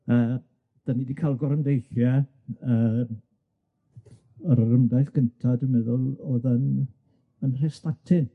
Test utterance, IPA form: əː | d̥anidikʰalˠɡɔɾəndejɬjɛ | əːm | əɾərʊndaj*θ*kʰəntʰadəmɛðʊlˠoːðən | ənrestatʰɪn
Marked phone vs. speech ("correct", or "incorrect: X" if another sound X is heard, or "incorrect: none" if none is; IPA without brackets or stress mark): correct